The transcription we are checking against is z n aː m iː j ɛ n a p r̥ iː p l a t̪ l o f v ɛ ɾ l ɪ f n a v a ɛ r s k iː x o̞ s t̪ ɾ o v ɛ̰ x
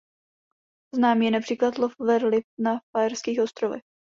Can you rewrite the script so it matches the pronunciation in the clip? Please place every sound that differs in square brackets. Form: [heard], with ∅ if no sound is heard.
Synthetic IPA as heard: z n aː m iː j ɛ n a p r̥ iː [k] l a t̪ l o f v ɛ ɾ l ɪ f n a [f] a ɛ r s k iː x o̞ s t̪ ɾ o v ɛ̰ x